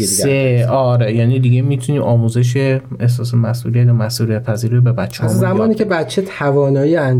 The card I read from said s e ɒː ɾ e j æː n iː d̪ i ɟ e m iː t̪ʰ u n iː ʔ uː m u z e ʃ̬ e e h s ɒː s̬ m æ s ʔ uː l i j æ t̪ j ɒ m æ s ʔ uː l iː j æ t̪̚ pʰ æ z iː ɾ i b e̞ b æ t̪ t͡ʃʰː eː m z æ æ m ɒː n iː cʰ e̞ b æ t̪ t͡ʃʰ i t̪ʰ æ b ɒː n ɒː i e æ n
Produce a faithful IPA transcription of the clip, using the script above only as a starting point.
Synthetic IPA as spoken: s e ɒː ɾ e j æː n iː d̪ i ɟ e m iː t̪ʰ u n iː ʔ ɒː m u z e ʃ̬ e e h s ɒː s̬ m æ s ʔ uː l i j æ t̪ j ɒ m æ s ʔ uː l i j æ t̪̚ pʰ æ z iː ɾ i b e̞ b æ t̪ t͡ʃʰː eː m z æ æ m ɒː n iː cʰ e̞ b æ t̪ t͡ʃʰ e t̪ʰ æ v ɒː n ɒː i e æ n